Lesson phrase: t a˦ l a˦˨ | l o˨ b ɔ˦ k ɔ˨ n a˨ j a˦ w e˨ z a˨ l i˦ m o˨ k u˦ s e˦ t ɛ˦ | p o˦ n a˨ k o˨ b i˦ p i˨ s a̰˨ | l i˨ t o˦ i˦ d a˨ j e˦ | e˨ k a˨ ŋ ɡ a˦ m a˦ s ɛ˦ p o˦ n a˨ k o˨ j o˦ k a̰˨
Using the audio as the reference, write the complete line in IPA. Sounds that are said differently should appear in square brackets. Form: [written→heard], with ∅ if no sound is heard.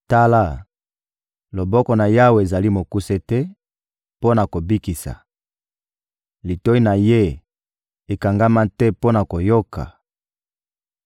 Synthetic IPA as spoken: t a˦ l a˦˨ | l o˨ b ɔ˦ k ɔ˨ n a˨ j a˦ w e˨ z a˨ l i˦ m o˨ k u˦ s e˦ t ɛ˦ | p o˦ n a˨ k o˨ b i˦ [p→k] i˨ s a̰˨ | l i˨ t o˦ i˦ [d→n] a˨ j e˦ | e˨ k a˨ ŋ ɡ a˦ m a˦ [s→t] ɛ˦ p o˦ n a˨ k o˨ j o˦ k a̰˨

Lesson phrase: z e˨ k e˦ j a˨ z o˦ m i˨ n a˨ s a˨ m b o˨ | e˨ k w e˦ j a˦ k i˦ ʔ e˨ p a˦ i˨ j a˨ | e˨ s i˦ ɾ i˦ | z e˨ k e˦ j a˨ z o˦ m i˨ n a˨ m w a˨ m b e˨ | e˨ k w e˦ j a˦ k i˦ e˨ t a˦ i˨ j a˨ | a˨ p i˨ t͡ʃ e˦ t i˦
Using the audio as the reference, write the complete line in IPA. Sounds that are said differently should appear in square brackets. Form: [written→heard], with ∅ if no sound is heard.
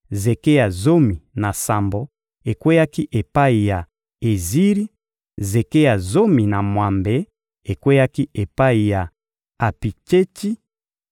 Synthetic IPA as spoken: z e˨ k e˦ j a˨ z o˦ m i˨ n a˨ s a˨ m b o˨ | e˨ k w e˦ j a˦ k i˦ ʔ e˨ p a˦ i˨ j a˨ | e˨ [s→z] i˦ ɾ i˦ | z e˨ k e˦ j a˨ z o˦ m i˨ n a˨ m w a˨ m b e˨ | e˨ k w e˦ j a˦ k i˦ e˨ [t→p] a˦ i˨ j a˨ | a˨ p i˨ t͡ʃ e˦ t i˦

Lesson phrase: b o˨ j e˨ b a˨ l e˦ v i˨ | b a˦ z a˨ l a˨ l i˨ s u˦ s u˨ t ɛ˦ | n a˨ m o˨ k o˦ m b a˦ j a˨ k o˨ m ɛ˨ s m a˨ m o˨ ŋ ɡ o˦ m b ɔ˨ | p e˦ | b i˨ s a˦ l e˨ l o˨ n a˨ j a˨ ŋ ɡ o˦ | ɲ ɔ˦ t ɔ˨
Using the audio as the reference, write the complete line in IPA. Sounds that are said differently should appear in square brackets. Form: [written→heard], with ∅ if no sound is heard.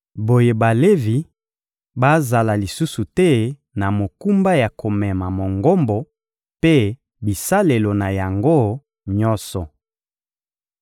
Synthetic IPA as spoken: b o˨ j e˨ b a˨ l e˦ v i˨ | b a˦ z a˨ l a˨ l i˨ s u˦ s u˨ t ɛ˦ | n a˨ m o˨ k [o˦→u˦] m b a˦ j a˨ k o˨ m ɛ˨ [s→∅] m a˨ m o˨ ŋ ɡ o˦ m b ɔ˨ | p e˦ | b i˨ s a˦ l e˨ l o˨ n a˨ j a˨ ŋ ɡ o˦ | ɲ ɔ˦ [t→s] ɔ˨

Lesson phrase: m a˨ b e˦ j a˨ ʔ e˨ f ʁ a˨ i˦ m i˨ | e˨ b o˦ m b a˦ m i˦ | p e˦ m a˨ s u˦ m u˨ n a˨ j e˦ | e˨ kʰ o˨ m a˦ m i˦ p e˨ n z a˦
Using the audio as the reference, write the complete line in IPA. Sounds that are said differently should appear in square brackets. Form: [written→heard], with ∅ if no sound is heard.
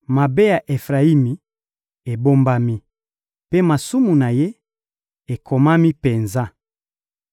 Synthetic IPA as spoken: m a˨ b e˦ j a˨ ʔ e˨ f ʁ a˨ i˦ m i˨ | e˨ b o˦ m b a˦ m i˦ | p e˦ m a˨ s u˦ m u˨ n a˨ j e˦ | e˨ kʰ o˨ m a˦ m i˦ p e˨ n z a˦

